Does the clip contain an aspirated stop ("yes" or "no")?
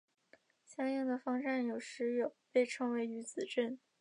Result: yes